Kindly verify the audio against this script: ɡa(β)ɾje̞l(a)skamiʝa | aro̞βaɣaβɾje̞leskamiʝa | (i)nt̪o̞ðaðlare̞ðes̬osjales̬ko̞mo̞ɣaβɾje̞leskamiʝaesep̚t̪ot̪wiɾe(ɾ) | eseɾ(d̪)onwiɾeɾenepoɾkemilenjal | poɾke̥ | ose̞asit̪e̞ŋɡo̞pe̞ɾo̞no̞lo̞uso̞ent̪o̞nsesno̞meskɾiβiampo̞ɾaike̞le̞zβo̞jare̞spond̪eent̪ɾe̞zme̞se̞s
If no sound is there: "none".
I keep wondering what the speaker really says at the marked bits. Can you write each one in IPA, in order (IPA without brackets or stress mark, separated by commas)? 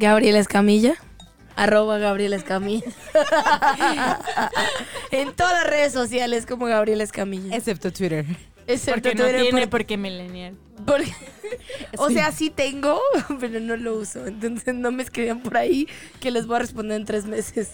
β, e, e, ɾ, t̪